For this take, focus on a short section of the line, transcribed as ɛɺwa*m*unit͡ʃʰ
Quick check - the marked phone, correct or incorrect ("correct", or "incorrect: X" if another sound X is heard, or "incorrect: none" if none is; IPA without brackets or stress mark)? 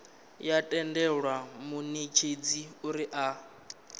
correct